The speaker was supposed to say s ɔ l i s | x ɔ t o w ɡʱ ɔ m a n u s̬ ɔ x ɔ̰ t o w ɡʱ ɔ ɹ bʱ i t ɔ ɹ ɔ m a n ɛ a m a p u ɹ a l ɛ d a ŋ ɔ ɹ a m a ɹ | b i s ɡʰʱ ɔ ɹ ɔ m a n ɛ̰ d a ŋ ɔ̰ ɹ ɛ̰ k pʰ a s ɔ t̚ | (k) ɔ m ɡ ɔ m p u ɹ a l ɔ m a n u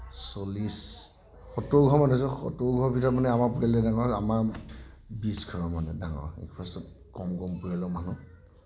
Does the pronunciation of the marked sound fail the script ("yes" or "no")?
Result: no